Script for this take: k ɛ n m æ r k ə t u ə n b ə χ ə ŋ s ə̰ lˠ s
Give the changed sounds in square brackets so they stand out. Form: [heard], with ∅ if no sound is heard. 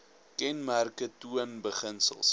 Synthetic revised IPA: k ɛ n m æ r k ə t u ə n b ə χ ə [n] s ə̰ lˠ s

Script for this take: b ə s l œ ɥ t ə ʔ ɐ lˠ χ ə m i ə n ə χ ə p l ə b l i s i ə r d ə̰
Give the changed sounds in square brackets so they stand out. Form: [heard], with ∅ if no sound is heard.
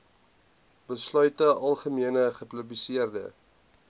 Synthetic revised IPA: b ə s l œ ɥ t ə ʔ ɐ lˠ χ ə m i ə n ə χ ə p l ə b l i s i ə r d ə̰

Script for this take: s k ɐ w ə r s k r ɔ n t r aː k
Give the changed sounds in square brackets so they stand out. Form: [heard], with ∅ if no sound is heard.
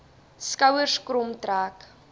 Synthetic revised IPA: s k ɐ w ə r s k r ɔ [m] t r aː k

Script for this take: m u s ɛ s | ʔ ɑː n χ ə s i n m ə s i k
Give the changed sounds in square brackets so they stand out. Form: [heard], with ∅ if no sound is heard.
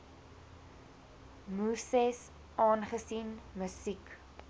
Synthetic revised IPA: m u s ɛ s | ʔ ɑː n χ ə s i n m ə s i k

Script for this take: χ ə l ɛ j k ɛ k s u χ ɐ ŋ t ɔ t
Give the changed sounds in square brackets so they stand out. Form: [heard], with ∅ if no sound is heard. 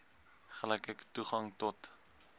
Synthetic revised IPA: χ ə l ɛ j k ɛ k [t] u χ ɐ ŋ t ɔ t

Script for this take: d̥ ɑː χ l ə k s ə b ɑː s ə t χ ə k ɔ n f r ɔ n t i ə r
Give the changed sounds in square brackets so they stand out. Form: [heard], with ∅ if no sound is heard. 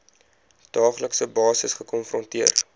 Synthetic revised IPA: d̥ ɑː χ l ə k s ə b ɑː s ə [s] χ ə k ɔ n f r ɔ n t i ə r

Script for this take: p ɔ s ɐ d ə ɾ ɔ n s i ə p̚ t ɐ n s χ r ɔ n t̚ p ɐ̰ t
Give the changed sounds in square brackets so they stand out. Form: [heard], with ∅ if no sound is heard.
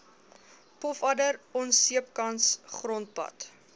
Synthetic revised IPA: p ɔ [f] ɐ d ə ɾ ɔ n s i ə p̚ [k] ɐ n s χ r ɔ n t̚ p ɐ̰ t

